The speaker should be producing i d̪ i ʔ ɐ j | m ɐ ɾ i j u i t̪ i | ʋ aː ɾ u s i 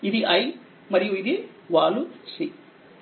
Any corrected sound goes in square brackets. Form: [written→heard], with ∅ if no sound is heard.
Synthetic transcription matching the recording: i d̪ i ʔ ɐ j | m ɐ ɾ i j u i [t̪→d̪] i | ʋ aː [ɾ→l] u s i